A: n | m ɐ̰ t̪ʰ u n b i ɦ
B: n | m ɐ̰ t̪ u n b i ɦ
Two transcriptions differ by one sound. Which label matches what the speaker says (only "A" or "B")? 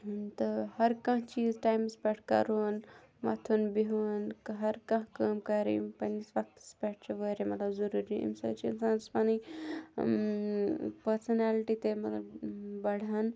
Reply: A